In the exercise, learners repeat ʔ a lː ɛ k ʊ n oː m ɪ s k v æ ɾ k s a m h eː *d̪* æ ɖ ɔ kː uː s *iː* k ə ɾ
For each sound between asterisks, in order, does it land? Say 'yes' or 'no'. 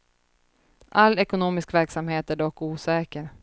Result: no, no

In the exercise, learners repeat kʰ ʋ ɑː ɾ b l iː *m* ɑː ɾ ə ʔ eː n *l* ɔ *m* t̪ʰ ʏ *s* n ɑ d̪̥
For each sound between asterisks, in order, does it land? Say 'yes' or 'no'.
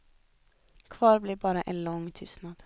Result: no, yes, no, yes

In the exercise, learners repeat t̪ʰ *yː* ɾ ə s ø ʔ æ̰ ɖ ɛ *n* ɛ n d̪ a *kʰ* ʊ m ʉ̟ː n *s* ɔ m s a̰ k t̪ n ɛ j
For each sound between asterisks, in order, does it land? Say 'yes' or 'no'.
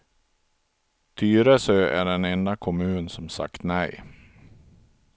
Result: yes, yes, yes, yes

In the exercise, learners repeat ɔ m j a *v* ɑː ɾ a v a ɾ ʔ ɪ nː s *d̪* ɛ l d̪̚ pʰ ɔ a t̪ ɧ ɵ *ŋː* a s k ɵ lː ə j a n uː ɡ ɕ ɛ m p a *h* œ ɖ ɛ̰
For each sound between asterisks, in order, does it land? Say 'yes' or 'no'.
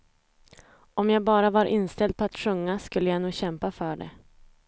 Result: no, no, yes, no

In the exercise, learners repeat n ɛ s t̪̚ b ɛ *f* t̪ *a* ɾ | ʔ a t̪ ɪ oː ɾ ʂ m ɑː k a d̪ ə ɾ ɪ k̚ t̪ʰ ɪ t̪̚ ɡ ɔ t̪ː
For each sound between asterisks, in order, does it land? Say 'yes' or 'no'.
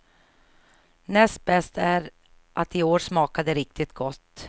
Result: no, no

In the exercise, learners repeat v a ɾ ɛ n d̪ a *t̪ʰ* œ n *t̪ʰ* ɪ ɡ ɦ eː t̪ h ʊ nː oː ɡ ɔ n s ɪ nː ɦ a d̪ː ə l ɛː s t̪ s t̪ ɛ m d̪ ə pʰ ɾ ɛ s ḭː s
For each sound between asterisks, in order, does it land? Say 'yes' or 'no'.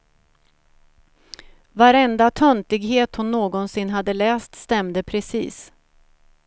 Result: yes, no

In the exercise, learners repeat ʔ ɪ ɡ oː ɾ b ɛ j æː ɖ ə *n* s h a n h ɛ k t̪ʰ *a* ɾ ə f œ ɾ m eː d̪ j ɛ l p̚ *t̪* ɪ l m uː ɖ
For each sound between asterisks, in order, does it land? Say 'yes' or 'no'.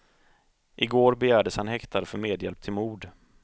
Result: no, yes, no

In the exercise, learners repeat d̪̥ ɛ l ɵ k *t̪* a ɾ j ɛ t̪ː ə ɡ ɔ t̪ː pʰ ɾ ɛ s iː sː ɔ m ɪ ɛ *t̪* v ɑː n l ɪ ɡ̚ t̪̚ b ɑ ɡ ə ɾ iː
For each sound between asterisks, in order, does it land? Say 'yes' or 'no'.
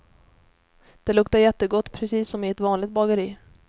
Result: yes, yes

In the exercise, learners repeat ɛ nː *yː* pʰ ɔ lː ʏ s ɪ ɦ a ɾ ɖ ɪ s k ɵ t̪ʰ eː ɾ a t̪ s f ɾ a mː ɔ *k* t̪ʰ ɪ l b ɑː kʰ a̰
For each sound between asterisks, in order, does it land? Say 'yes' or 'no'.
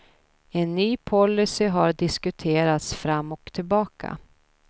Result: yes, yes

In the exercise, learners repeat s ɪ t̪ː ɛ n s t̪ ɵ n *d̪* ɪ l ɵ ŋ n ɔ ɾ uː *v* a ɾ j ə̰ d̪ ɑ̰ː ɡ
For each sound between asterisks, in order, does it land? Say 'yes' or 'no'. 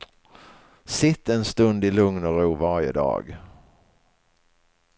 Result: yes, yes

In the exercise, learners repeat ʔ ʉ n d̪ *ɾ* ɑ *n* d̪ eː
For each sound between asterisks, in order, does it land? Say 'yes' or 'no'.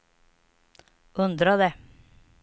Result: yes, no

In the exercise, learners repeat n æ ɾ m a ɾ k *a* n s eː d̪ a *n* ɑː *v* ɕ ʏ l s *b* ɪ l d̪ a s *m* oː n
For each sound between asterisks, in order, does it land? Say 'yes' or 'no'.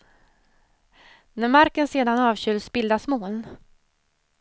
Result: no, yes, yes, yes, yes

